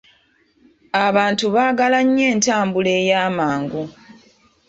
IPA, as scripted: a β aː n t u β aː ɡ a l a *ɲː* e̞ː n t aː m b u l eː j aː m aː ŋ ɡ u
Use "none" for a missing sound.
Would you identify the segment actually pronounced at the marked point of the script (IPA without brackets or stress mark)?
ɲː